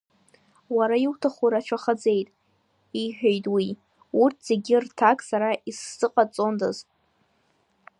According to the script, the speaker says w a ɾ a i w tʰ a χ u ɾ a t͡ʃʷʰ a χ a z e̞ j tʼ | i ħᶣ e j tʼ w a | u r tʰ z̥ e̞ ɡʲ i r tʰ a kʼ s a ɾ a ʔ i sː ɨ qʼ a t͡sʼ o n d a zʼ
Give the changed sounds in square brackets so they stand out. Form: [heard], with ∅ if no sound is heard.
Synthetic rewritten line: w a ɾ a i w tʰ a χ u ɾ a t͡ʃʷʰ a χ a [d͡z] e̞ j tʼ | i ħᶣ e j tʼ w [i] | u r tʰ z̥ e̞ ɡʲ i r tʰ a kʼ s a ɾ a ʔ i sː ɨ qʼ a t͡sʼ o n d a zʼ